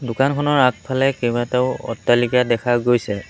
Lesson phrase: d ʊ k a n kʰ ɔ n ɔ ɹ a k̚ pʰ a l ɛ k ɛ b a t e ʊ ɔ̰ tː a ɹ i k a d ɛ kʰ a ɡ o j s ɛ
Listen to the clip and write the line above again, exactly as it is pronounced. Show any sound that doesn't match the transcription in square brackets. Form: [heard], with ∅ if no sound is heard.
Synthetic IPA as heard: d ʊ k a n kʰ ɔ n ɔ ɹ a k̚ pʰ a l ɛ k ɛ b a t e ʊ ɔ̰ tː a [l] i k a d ɛ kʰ a ɡ o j s ɛ

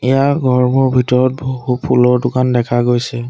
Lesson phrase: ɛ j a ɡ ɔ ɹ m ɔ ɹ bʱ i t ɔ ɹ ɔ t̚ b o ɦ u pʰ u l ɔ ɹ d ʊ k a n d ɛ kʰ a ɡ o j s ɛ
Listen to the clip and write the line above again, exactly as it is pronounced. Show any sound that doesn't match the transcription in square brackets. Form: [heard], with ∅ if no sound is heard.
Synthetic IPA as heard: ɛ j a ɡ ɔ ɹ m ɔ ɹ bʱ i t ɔ ɹ ɔ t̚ b o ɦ u pʰ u l ɔ ɹ d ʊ k a n d ɛ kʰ a ɡ o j s ɛ

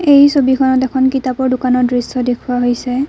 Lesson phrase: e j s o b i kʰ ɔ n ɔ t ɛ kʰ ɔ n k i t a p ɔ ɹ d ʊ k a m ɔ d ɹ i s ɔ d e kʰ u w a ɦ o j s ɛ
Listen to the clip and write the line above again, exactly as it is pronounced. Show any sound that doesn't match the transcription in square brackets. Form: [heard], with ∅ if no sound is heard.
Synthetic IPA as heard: e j s o b i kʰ ɔ n ɔ t ɛ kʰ ɔ n k i t a p ɔ ɹ d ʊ k a [n] ɔ d ɹ i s ɔ d e kʰ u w a ɦ o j s ɛ

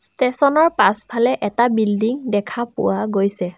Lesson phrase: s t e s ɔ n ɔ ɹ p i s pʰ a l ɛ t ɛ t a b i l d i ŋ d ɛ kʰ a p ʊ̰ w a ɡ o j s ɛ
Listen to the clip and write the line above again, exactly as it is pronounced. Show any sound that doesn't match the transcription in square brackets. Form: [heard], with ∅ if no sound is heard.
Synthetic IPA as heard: s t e s ɔ n ɔ ɹ p [a] s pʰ a l ɛ [ʔ] ɛ t a b i l d i ŋ d ɛ kʰ a p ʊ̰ w a ɡ o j s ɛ

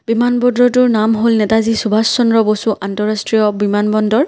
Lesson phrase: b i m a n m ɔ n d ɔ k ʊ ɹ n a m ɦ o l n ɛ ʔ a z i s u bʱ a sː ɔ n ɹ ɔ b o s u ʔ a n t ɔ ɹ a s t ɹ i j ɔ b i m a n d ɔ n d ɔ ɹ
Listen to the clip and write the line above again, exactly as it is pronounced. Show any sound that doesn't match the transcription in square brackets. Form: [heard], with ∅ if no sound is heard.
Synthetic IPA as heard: b i m a n [b] ɔ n d ɔ [t] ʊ ɹ n a m ɦ o l n ɛ [t] a z i s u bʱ a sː ɔ n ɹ ɔ b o s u ʔ a n t ɔ ɹ a s t ɹ i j ɔ b i m a n [b] ɔ n d ɔ ɹ

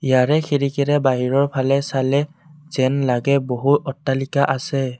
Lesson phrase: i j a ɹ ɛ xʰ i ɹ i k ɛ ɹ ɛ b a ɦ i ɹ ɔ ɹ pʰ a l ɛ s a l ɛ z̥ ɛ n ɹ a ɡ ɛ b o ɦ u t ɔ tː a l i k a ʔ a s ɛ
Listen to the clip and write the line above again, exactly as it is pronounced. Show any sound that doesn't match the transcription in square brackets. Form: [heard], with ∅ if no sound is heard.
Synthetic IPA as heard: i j a ɹ ɛ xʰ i ɹ i k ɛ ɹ ɛ b a ɦ i ɹ ɔ ɹ pʰ a l ɛ s a l ɛ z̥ ɛ n [l] a ɡ ɛ b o ɦ u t ɔ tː a l i k a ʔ a s ɛ

